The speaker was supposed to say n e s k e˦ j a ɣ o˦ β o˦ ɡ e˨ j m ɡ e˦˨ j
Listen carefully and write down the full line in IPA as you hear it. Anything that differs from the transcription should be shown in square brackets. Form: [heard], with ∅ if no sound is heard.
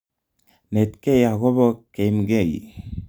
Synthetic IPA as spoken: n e [t] k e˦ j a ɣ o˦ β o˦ [k] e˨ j m ɡ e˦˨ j